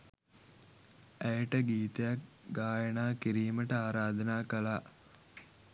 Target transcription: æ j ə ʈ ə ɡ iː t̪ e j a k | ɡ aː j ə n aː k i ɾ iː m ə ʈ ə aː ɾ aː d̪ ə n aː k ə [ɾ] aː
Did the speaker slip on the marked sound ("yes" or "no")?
yes